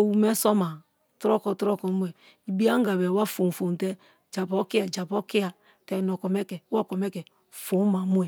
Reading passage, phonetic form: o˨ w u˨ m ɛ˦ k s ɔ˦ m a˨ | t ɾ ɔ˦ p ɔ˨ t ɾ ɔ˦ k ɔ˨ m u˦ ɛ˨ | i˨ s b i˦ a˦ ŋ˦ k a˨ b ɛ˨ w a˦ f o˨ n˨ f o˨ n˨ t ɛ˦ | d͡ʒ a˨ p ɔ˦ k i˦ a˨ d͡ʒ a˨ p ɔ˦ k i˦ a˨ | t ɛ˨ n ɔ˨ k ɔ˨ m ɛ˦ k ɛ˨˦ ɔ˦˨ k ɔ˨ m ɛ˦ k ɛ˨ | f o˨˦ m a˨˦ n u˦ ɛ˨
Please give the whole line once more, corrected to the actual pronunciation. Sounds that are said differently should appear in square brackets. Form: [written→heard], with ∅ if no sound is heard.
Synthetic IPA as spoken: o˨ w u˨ m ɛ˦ [k→∅] s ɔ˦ m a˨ | t ɾ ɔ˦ [p→k] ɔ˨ t ɾ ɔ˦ k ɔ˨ m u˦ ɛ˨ | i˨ [s→∅] b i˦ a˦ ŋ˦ [k→ɡ] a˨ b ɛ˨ w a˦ f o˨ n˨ f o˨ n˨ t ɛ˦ | d͡ʒ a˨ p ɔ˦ k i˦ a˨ d͡ʒ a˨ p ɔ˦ k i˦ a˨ | t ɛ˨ n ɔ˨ k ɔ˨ m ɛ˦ k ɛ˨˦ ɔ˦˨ k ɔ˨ m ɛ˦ k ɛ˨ | f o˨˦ m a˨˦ [n→m] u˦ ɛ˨

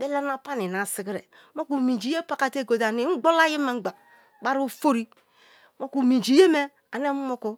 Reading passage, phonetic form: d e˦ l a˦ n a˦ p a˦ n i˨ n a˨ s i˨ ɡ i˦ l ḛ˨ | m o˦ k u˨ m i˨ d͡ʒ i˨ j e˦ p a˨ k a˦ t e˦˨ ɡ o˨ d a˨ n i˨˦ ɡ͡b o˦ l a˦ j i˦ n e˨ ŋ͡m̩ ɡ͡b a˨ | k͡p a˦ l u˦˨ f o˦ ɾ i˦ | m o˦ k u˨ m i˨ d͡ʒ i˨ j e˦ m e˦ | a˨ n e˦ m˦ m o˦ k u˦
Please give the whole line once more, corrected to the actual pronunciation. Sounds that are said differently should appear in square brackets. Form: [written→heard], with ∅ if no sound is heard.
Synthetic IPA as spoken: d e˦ l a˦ n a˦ p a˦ n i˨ n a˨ s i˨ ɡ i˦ [l→ɾ] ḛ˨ | m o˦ k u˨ m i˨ d͡ʒ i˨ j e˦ p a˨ k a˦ t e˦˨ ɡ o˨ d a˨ n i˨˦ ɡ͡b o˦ l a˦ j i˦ [n→m] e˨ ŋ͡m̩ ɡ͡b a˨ | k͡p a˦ [l→ɾ] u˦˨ f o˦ ɾ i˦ | m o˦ k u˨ m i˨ d͡ʒ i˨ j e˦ m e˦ | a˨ n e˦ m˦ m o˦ k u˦

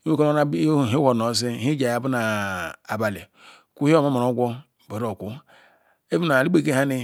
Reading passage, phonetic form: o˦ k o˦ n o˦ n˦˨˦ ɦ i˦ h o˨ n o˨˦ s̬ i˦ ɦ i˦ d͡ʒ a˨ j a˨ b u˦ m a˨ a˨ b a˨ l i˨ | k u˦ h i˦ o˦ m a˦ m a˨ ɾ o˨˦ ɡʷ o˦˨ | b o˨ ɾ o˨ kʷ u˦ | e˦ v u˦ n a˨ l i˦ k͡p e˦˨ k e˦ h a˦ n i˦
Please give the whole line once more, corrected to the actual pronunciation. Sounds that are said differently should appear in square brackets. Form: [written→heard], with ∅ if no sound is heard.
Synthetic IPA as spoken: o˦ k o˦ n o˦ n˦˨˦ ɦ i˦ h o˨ n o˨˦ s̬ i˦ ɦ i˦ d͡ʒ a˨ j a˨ b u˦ [m→n] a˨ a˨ b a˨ l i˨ | k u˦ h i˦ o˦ m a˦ m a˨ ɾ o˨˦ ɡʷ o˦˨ | b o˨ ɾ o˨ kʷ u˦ | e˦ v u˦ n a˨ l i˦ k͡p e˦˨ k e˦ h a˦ n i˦

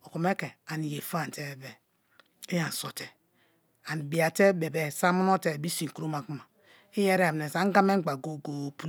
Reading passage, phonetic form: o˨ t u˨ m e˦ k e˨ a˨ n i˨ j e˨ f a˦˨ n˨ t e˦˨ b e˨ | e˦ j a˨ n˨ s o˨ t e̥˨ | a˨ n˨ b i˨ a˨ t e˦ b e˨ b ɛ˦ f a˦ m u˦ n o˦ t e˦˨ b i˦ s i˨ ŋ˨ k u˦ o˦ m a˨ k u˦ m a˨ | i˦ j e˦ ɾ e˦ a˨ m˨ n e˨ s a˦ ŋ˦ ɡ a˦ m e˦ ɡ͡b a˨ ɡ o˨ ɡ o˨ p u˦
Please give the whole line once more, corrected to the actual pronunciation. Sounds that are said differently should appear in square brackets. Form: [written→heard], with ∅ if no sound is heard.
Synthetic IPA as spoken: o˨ [t→k] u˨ m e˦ k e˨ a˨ n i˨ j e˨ f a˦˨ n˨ t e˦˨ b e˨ | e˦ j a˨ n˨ s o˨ t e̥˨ | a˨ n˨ b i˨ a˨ t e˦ b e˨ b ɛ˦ [f→s] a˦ m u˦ n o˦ t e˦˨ b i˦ s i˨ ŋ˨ k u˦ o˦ m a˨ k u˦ m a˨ | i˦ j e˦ ɾ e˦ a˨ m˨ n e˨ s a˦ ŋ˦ ɡ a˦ m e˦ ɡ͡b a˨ ɡ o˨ ɡ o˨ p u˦

